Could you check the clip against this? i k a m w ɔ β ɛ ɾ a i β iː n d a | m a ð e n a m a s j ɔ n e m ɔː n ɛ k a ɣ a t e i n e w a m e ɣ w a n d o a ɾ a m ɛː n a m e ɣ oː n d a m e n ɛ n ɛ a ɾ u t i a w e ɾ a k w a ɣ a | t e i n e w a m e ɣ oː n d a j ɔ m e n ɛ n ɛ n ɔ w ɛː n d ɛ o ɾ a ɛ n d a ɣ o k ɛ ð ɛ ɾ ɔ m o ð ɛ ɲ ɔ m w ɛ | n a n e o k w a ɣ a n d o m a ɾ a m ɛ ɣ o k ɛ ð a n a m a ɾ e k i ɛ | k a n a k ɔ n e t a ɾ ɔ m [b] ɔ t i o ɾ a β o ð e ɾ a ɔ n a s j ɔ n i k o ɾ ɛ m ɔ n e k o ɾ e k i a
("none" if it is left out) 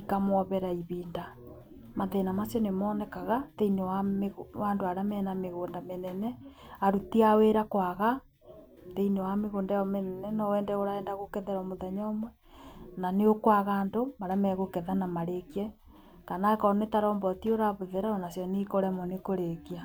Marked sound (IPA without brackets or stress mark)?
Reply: b